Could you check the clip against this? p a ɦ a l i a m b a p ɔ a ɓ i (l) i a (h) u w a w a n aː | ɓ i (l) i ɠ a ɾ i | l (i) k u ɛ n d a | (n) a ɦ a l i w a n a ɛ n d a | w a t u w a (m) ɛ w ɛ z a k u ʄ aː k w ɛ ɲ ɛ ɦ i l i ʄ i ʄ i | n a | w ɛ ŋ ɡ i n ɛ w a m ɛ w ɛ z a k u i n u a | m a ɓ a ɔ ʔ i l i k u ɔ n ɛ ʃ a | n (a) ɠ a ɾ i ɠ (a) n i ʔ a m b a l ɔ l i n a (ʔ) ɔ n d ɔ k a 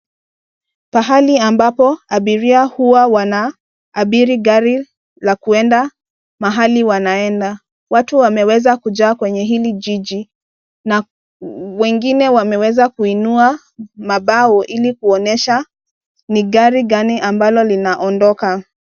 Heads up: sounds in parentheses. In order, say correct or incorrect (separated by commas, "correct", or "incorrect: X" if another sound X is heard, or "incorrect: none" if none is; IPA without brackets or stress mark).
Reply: incorrect: ɾ, correct, incorrect: ɾ, incorrect: a, incorrect: m, correct, incorrect: i, correct, correct